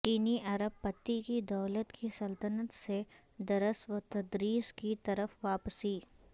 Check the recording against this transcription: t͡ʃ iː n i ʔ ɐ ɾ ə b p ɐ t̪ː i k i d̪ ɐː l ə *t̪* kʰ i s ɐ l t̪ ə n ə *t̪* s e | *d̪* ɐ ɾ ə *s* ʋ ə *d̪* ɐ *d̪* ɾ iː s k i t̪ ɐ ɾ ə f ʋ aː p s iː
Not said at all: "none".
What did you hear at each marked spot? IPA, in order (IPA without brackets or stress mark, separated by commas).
t̪, t̪, d̪, s, t̪, d̪